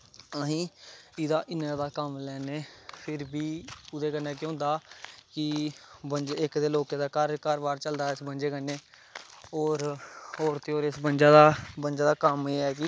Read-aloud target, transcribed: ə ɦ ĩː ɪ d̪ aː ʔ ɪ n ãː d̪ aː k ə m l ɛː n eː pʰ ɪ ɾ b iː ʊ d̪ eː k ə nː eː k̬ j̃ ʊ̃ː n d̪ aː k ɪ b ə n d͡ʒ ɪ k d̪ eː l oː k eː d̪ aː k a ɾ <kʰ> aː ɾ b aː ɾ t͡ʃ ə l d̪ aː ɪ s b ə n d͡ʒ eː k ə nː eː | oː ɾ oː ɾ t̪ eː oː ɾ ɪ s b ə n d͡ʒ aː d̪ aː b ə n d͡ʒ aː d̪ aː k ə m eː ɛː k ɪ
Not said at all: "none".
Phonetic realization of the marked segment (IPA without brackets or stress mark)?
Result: k